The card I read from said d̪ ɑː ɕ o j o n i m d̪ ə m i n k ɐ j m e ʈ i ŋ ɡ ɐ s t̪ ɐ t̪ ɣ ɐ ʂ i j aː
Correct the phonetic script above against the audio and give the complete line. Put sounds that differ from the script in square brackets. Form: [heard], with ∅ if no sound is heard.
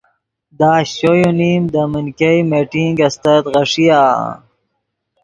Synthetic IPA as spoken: d̪ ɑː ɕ o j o n i m d̪ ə m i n k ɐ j m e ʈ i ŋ ɡ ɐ s t̪ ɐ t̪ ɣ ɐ ʂ i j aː